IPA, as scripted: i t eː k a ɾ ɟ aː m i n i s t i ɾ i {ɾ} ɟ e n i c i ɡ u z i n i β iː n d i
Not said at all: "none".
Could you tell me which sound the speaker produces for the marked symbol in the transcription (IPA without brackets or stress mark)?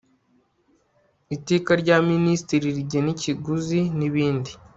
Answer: ɾ